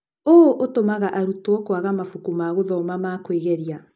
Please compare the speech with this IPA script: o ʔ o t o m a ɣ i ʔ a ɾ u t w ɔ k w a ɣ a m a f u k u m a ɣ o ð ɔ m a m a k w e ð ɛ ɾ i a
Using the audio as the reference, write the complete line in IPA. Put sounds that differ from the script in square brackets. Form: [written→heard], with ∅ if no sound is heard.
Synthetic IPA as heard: o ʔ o t o m a ɣ [i→a] ʔ a ɾ u t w ɔ k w a ɣ a m a f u k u m a ɣ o ð ɔ m a m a k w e [ð→ɣ] ɛ ɾ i a